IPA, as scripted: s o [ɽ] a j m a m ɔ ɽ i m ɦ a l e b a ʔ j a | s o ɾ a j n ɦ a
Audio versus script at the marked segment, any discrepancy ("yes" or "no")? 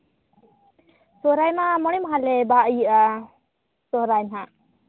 yes